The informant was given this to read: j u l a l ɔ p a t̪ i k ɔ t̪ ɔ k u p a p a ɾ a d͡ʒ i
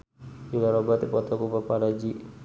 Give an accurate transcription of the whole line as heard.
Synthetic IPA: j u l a ɾ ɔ b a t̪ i p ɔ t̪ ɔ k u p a p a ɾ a d͡ʒ i

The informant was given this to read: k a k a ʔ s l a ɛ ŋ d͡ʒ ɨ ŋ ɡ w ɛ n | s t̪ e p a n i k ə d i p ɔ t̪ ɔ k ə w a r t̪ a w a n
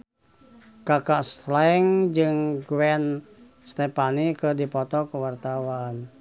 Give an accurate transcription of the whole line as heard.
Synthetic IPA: k a k a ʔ s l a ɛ ŋ d͡ʒ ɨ ŋ ɡ w ɛ n | s t̪ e p a n i k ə d i p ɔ t̪ ɔ k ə w a r t̪ a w a n

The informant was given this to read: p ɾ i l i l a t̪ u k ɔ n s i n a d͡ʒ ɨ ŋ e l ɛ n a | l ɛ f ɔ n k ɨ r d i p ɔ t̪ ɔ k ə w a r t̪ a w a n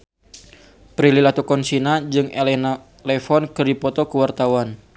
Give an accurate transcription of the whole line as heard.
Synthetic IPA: p ɾ i l i l a t̪ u k ɔ n s i n a d͡ʒ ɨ ŋ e l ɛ n a | l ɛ f ɔ n k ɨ r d i p ɔ t̪ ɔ k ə w a r t̪ a w a n

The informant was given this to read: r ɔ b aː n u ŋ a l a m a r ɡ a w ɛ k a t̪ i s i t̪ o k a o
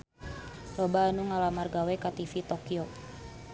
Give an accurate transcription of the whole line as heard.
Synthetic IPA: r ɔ b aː n u ŋ a l a m a r ɡ a w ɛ k a t̪ i f i t̪ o k i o

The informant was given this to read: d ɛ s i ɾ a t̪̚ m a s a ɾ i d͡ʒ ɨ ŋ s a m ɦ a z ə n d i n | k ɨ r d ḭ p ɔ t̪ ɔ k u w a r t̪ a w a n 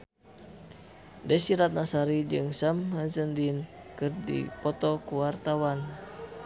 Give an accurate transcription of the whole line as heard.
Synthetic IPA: d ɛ s i ɾ a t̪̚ n a s a ɾ i d͡ʒ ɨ ŋ s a m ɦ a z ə n d i n | k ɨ r d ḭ p ɔ t̪ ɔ k u w a r t̪ a w a n

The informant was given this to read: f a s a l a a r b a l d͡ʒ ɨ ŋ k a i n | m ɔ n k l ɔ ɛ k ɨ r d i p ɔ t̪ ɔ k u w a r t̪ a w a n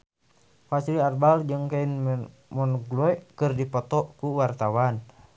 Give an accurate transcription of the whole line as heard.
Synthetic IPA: f a s i l i a r b a l d͡ʒ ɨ ŋ k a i n | m ɔ n ɡ l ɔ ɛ k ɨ r d i p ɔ t̪ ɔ k u w a r t̪ a w a n

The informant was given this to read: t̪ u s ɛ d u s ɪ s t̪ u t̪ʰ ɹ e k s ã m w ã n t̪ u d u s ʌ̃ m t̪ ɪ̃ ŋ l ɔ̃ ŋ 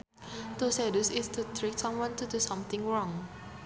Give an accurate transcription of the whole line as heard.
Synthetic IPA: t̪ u s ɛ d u s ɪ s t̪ u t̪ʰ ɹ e k s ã m w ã n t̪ u d u s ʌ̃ m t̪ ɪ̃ ŋ ɹ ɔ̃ ŋ

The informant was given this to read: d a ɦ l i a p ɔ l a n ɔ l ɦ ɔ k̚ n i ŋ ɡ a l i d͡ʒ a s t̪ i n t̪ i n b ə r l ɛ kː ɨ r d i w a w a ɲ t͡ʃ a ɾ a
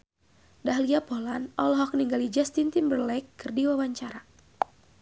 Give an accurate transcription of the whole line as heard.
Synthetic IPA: d a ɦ l i a p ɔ l a n ɔ l ɦ ɔ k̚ n i ŋ ɡ a l i d͡ʒ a s t̪ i n t̪ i n b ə r l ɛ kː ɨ r d i w a w a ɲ t͡ʃ a ɾ a

